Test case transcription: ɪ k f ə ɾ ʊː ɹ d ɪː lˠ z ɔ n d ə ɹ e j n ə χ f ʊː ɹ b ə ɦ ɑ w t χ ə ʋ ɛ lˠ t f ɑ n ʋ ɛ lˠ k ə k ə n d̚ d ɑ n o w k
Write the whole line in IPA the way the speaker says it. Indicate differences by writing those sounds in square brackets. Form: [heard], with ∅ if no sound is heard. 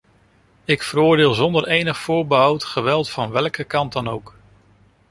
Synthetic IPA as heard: ɪ k f ə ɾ ʊː ɹ d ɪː lˠ z ɔ n d ə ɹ e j n ə χ f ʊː ɹ b ə ɦ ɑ w t χ ə ʋ ɛ lˠ t f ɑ n ʋ ɛ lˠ k ə k [ɑ] n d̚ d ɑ n o w k